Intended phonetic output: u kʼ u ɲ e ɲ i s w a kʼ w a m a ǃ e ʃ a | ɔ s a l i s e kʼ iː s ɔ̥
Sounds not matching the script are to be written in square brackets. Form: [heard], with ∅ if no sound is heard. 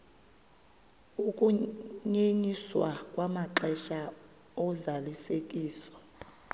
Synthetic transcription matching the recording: u kʼ u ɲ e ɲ i s w a kʼ w a m a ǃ [ɛ] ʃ a | ɔ [z] a l i s e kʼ iː s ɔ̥